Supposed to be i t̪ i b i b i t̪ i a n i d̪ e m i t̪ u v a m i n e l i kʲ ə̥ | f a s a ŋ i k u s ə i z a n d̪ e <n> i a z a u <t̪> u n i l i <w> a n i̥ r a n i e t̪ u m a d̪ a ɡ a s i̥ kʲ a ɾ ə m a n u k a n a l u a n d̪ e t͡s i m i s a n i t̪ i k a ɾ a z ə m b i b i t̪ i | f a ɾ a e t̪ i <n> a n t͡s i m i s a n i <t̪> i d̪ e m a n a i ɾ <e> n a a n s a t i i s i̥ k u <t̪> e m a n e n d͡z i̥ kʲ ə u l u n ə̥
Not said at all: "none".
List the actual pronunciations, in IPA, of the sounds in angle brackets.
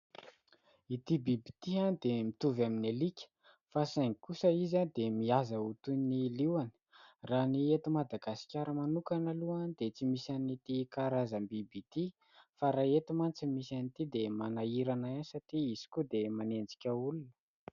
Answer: m, t̪, w, m, t̪, a, d̪

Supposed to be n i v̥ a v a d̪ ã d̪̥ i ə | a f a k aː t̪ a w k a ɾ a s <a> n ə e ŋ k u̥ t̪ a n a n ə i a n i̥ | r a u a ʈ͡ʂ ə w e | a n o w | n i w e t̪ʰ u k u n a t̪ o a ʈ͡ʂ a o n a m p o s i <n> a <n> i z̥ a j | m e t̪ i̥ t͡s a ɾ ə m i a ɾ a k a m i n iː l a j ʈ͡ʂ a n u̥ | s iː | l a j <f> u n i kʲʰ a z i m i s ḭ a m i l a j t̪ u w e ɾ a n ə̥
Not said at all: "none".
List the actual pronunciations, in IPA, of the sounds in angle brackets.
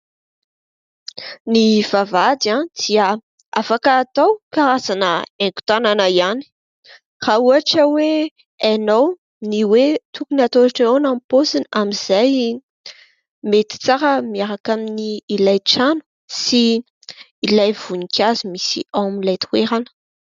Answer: a, n, m, v

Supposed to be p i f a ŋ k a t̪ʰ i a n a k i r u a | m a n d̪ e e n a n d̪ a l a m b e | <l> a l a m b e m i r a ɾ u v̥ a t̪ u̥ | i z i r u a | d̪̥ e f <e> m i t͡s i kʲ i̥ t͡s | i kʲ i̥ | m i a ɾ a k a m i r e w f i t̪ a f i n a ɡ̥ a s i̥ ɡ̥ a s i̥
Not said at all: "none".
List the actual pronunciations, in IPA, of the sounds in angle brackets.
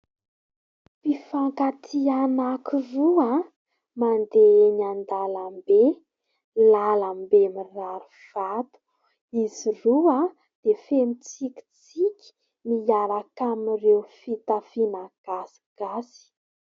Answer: l, e

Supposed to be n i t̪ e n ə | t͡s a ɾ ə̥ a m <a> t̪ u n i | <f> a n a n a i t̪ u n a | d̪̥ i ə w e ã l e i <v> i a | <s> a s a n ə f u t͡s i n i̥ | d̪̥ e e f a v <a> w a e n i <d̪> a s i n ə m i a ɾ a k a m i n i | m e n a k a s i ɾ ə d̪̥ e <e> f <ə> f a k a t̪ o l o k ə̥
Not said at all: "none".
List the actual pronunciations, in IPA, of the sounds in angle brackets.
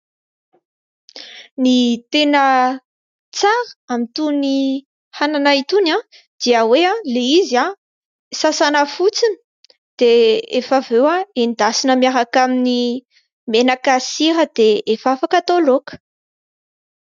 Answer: i, h, z, s, e, d̪, e, a

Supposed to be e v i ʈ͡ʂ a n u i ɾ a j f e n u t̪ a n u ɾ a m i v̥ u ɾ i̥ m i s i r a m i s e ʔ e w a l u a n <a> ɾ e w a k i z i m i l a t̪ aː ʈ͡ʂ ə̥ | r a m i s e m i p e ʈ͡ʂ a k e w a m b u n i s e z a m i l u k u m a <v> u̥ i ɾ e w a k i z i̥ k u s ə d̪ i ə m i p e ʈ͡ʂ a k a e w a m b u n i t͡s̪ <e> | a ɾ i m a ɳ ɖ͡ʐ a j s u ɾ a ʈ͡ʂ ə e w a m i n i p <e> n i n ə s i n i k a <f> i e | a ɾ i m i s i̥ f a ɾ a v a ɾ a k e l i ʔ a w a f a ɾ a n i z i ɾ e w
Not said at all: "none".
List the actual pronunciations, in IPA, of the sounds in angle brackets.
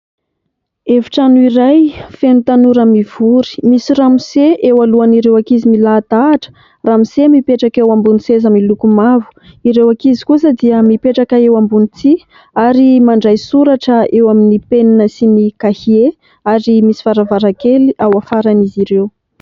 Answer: i, v, i, e, h

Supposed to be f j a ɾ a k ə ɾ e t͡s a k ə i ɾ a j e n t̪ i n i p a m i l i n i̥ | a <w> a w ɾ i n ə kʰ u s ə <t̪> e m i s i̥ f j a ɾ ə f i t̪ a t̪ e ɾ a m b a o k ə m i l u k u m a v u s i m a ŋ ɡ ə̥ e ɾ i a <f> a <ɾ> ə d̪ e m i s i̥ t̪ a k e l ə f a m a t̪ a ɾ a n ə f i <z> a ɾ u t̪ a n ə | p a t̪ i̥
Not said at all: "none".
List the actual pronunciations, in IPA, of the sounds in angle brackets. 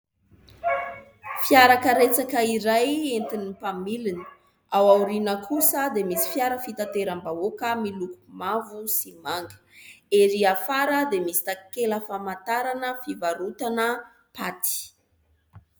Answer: w, d̪, f, ɾ, v

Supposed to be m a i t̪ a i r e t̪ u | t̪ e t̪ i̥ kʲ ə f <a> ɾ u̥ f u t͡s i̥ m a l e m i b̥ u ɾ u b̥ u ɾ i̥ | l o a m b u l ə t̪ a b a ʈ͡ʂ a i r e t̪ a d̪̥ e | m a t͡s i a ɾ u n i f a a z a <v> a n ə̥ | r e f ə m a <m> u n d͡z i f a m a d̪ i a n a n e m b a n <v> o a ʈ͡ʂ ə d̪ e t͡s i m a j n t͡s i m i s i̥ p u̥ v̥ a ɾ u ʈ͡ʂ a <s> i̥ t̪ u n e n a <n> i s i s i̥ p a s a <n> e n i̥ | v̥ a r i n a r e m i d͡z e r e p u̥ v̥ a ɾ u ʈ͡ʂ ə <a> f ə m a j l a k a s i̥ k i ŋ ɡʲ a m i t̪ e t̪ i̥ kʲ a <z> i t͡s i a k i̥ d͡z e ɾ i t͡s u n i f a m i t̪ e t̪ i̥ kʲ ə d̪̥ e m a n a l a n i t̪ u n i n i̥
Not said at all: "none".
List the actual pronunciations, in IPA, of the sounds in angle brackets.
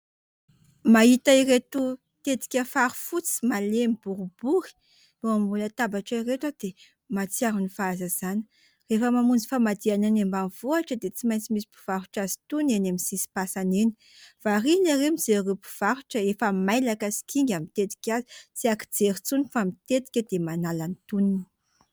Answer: a, z, m, v, z, m, n, e, z

